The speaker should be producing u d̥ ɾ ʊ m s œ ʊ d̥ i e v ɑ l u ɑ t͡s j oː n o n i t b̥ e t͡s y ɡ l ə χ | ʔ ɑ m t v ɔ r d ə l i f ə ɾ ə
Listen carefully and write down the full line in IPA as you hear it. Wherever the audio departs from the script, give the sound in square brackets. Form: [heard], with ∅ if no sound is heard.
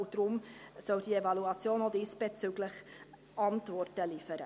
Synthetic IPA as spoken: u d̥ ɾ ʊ m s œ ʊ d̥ i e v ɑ l u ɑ t͡s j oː n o [d] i [s] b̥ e t͡s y ɡ l ə χ | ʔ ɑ [n] t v ɔ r [t] ə l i f ə ɾ ə

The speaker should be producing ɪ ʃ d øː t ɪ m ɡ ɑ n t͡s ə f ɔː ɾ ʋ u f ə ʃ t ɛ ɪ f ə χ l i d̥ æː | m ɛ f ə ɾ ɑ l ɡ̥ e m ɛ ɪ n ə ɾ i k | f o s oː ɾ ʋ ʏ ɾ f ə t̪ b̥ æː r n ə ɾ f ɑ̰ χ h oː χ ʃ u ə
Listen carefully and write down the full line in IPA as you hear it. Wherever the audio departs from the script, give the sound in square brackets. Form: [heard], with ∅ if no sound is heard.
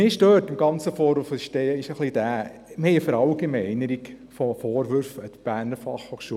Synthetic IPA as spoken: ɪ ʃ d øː t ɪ m ɡ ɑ n t͡s ə f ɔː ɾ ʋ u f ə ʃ t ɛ ɪ [ʃ] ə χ l i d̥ æː | m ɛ f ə ɾ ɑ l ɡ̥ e m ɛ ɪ n ə ɾ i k | f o [f] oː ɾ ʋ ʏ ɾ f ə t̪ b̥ æː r n ə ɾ f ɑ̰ χ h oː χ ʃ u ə

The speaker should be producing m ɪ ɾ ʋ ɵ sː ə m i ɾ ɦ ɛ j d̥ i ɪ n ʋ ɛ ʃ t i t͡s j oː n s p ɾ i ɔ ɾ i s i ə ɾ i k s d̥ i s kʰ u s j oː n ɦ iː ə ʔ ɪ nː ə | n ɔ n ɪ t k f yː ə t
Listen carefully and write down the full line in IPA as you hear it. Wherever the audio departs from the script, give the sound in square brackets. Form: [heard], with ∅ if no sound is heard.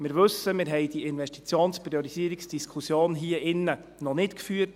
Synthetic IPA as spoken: m ɪ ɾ ʋ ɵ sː ə m [ɪ] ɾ ɦ ɛ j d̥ i ɪ n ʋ ɛ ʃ t i t͡s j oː n s p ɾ i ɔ ɾ i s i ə ɾ i k s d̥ i s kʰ u s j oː n ɦ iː ə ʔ ɪ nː ə | n ɔ n ɪ t k f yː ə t

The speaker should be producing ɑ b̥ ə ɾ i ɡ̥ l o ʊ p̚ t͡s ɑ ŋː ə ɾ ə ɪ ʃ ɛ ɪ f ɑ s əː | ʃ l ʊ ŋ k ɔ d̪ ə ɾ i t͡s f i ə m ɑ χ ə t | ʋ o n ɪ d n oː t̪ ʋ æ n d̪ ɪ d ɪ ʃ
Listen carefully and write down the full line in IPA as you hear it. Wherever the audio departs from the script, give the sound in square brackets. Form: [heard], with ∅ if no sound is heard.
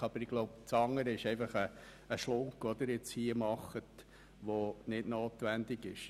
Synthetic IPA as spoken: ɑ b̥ ə ɾ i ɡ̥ l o ʊ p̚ t͡s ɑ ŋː ə ɾ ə ɪ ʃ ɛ ɪ f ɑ [χ] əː | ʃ l ʊ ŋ k ɔ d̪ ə ɾ [ɪ] t͡s [h] i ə m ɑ χ ə t | ʋ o n ɪ d n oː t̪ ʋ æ n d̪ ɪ [ɡ] ɪ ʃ

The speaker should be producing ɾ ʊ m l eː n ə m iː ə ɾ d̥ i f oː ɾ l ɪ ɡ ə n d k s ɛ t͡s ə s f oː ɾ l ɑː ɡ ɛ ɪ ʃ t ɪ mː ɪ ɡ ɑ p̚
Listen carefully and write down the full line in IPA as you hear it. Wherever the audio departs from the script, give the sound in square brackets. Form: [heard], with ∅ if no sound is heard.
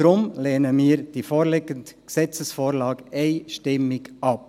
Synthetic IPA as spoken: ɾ ʊ m l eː n ə m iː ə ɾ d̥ i f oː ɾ l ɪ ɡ ə n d k s ɛ t͡s ə s f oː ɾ l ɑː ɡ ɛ ɪ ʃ t ɪ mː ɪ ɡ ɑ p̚

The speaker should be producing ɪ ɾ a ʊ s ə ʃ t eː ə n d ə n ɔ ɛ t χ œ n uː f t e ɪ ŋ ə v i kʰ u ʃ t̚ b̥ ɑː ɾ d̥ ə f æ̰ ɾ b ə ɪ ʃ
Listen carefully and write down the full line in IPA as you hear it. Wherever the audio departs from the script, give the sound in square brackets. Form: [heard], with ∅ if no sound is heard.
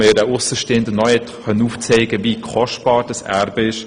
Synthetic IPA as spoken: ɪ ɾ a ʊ s ə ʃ t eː ə n d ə n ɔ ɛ t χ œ n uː f [t͡s] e ɪ [ɡ] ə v i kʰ [ɔ] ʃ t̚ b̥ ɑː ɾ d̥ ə [s] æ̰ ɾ b ə ɪ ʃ

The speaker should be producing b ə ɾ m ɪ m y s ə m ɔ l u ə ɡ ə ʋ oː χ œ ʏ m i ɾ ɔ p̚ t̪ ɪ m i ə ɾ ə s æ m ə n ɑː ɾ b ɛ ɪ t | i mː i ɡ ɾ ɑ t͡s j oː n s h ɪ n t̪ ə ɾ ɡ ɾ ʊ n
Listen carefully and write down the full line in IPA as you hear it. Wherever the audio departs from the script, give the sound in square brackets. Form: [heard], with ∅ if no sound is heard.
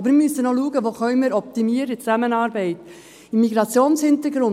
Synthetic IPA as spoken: b ə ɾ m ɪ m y s ə [n] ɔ l u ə ɡ ə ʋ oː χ œ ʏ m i ɾ ɔ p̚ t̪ [i] m i ə ɾ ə [t͡s] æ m ə n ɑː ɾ b ɛ ɪ t | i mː i ɡ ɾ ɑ t͡s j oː n s h ɪ n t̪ ə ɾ ɡ ɾ ʊ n

